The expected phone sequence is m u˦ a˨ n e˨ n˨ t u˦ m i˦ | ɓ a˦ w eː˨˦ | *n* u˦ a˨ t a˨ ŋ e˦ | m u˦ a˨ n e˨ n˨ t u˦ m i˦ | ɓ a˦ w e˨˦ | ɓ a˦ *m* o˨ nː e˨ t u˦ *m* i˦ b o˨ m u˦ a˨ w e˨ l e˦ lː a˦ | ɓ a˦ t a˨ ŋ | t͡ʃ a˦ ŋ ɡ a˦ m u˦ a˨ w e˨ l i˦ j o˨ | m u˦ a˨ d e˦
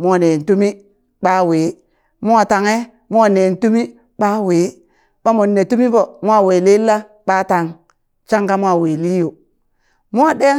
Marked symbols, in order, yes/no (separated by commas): no, yes, yes